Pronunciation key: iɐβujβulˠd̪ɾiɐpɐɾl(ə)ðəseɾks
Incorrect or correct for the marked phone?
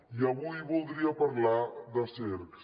incorrect: a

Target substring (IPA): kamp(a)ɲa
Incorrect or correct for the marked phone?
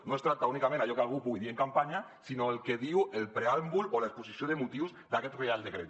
correct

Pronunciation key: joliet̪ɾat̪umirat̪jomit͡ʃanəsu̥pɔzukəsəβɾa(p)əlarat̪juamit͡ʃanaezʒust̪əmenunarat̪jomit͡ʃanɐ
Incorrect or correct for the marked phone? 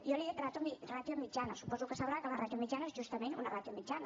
incorrect: k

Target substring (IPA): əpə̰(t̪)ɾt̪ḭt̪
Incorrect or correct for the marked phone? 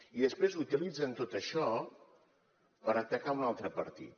incorrect: none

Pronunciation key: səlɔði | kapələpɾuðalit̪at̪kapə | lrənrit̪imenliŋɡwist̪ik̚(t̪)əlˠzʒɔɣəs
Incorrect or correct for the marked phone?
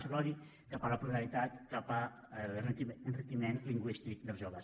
incorrect: d̪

